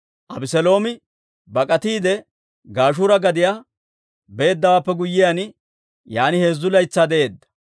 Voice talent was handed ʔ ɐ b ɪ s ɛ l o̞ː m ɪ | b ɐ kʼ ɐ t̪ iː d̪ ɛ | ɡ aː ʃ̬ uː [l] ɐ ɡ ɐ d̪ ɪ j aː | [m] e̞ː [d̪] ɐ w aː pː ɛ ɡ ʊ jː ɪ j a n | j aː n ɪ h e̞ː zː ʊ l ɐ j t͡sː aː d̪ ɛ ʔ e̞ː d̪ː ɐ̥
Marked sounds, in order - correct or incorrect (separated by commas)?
incorrect, incorrect, incorrect